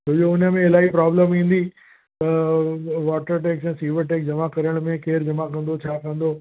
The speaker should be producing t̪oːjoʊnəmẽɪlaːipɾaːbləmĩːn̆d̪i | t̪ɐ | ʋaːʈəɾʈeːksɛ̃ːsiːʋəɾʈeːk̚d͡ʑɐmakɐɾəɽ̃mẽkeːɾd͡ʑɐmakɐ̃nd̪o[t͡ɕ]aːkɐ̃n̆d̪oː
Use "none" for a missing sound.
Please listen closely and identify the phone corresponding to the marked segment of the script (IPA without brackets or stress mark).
t͡ɕʰ